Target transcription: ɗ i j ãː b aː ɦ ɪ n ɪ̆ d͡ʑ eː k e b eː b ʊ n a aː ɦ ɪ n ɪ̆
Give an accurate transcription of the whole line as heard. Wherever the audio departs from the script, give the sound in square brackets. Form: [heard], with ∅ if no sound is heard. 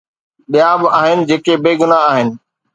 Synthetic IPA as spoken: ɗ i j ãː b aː ɦ ɪ n ɪ̆ d͡ʑ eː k e b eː [ɡ] ʊ n a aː ɦ ɪ n ɪ̆